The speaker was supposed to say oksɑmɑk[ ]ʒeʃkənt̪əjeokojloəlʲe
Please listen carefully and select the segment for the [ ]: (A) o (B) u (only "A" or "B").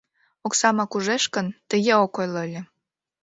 B